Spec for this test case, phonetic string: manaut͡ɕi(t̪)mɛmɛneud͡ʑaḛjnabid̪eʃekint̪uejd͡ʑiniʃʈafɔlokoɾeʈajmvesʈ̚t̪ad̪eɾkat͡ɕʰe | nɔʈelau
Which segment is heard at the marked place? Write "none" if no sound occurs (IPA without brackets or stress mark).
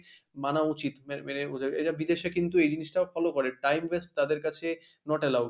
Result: t̪